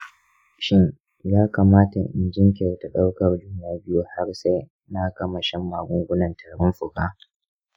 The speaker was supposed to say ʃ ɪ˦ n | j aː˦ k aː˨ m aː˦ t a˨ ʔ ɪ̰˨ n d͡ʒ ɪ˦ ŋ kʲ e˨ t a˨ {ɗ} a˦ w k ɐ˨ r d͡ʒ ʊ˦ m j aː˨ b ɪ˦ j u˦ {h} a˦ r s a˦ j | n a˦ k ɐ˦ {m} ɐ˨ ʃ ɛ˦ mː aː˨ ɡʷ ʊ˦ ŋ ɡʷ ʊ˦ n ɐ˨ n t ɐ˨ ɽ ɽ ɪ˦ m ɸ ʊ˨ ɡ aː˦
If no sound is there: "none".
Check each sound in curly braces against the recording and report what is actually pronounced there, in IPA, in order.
ɗ, h, m

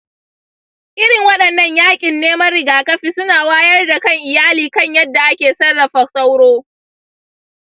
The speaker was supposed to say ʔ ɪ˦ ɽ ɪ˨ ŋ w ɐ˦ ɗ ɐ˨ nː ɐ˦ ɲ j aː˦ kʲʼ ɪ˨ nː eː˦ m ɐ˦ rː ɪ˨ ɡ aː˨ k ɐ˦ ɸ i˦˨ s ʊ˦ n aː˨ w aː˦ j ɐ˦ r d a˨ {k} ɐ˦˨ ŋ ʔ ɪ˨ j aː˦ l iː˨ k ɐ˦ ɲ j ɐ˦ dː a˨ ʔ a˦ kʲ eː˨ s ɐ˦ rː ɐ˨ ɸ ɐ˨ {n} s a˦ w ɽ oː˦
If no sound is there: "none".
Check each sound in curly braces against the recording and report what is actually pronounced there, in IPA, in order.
k, none

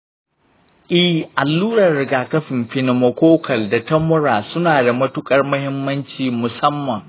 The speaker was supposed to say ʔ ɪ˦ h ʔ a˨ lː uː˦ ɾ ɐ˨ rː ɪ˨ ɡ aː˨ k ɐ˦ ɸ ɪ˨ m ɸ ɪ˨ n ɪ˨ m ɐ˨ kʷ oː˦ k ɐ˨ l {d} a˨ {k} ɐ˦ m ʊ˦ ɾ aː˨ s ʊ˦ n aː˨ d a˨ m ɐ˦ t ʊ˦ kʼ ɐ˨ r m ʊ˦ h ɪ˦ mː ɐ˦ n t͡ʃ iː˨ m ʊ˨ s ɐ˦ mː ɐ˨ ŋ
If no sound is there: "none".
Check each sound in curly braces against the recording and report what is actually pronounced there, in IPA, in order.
d, t

